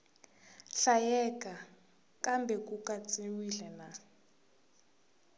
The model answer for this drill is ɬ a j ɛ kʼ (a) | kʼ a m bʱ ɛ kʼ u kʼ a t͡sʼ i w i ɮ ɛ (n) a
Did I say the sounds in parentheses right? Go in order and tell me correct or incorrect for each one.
correct, correct

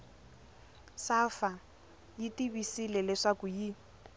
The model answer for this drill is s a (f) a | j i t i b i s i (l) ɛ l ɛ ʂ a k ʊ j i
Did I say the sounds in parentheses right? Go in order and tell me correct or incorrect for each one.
correct, correct

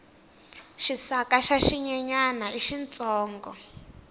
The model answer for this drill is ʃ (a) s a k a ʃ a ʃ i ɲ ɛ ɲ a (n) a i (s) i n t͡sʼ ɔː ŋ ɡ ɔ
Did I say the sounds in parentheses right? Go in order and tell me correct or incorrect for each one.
incorrect, correct, incorrect

